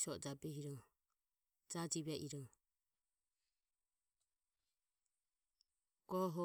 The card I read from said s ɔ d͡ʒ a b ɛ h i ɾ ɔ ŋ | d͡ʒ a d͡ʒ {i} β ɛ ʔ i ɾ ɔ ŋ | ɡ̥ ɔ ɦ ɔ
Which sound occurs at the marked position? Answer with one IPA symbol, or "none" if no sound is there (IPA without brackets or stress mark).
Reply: i